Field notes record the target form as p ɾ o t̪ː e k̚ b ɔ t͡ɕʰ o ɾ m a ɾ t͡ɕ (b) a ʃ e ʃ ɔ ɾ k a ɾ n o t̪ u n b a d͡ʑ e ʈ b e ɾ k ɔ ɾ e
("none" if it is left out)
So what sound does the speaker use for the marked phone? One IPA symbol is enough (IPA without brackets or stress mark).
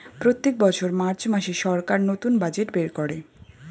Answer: m